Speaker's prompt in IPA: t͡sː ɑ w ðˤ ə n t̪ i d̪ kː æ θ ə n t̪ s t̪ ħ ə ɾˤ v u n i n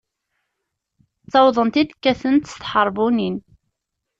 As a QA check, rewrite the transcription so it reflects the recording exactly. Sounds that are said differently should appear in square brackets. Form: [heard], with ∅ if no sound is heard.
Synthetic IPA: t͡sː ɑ w ðˤ ə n t̪ i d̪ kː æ θ ə n t̪ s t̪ ħ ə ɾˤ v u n i n

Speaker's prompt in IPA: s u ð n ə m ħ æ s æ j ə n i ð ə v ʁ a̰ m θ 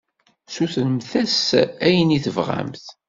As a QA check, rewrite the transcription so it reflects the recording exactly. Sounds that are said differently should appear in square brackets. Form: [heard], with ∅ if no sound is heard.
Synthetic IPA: s u [θ] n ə m [θ] æ s æ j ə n i [θ] ə v ʁ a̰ m θ

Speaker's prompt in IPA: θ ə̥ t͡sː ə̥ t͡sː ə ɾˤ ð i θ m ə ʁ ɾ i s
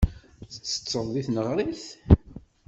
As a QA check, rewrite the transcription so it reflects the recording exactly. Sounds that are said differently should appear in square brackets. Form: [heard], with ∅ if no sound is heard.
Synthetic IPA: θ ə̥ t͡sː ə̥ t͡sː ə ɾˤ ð i θ [n] ə ʁ ɾ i [θ]

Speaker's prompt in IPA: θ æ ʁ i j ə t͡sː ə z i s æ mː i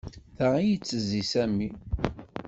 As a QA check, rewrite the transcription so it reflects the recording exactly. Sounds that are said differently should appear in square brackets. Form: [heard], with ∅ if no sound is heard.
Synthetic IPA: θ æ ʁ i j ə t͡sː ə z i s æ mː i

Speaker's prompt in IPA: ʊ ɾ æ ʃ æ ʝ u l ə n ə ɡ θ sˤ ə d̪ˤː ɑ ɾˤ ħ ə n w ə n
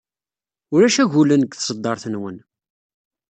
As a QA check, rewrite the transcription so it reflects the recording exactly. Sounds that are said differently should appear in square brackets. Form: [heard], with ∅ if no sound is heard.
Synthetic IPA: ʊ ɾ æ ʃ æ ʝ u l ə n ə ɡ θ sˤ ə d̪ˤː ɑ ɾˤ [θ] ə n w ə n

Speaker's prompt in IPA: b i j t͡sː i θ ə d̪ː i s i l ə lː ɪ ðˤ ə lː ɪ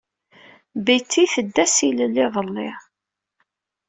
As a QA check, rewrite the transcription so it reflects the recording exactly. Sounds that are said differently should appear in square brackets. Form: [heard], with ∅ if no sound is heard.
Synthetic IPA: b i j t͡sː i θ ə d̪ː [æ] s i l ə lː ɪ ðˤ ə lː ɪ

